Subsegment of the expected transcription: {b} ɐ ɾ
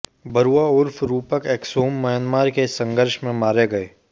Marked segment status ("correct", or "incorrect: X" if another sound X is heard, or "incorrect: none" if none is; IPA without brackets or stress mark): correct